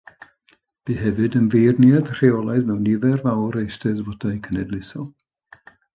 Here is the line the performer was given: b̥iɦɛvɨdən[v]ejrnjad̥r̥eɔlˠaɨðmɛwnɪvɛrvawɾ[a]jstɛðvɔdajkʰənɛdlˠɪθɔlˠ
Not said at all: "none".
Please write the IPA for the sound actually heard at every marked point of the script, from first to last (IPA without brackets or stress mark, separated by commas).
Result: v, e